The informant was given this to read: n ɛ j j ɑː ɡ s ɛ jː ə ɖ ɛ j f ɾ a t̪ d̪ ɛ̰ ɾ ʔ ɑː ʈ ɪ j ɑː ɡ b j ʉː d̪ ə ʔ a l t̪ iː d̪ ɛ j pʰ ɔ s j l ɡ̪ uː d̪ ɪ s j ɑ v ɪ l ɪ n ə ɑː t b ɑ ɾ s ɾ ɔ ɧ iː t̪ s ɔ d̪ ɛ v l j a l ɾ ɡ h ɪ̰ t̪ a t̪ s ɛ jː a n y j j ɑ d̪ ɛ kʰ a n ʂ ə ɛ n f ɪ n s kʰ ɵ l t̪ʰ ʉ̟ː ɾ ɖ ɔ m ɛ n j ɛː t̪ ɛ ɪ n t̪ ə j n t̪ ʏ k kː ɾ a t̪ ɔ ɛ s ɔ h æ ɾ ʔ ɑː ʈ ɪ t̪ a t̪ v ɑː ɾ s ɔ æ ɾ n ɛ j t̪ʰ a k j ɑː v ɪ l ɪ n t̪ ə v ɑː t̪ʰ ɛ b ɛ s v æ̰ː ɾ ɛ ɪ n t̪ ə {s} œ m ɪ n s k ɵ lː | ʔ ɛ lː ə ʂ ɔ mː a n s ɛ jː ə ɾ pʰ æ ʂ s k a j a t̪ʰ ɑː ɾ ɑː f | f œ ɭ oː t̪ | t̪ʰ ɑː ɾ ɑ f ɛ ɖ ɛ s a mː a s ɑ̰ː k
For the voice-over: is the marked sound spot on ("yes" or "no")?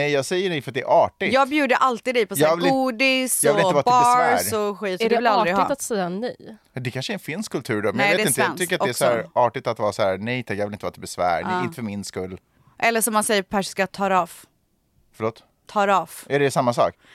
no